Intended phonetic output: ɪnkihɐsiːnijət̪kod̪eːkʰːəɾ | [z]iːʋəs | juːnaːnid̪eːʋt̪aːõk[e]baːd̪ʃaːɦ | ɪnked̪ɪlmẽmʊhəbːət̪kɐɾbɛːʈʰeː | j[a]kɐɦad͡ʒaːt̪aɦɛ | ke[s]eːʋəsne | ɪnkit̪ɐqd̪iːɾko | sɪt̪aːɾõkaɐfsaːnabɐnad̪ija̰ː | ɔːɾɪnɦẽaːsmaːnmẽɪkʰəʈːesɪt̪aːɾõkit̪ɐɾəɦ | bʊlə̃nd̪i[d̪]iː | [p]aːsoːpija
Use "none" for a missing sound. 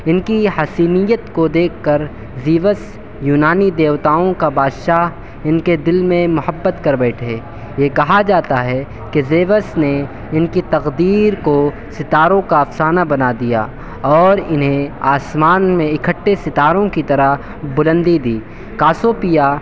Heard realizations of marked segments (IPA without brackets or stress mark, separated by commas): z, a, e, z, d̪, k